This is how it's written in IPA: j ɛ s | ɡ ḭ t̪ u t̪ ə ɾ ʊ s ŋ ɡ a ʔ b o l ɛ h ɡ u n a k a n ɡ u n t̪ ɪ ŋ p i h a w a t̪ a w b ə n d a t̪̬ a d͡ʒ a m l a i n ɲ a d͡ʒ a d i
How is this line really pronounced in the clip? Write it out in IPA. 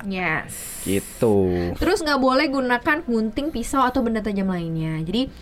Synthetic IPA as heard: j ɛ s | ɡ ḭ t̪ u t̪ ə ɾ ʊ s ŋ ɡ a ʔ b o l ɛ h ɡ u n a k a n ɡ u n t̪ ɪ ŋ p i s a w a t̪ a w b ə n d a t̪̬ a d͡ʒ a m l a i n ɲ a d͡ʒ a d i